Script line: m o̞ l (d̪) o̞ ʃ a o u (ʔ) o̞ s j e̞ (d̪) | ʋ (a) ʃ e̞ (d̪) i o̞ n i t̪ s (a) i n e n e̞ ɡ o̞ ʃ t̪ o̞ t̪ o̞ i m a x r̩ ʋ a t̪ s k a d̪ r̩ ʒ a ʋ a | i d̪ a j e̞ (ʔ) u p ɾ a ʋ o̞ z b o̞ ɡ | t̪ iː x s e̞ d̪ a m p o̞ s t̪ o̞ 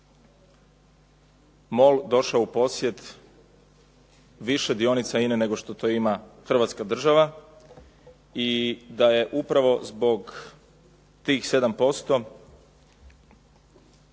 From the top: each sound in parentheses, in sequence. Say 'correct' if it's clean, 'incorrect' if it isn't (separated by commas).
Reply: correct, incorrect, incorrect, incorrect, correct, correct, correct